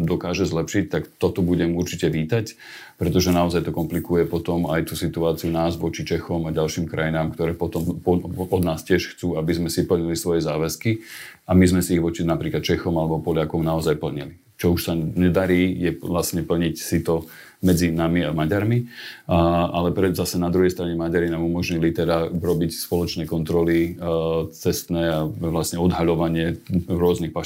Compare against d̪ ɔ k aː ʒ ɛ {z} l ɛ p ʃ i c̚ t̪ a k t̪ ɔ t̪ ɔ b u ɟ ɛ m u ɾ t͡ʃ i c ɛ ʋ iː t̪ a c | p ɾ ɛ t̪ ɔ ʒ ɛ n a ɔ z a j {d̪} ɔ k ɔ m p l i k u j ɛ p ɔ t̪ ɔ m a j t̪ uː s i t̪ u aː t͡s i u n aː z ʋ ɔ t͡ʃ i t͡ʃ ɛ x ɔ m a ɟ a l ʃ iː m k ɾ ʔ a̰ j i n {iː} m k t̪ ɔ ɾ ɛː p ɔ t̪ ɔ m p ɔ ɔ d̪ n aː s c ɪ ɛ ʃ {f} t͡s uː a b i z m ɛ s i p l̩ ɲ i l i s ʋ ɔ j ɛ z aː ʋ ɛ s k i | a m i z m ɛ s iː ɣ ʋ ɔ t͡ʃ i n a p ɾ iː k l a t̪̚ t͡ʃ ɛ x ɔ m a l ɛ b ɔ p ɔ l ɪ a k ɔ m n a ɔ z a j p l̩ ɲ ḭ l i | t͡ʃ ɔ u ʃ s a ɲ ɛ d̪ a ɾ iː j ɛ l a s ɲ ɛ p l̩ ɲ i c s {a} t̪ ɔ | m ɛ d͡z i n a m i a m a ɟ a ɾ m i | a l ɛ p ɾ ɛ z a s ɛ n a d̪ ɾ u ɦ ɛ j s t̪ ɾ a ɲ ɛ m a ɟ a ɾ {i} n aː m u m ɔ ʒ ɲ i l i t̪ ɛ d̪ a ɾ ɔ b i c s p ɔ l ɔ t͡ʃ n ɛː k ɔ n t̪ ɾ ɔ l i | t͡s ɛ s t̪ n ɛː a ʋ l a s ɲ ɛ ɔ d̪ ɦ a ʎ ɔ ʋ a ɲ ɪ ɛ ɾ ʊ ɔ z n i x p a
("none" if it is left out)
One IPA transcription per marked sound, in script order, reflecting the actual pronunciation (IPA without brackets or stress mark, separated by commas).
z, t̪, aː, x, i, i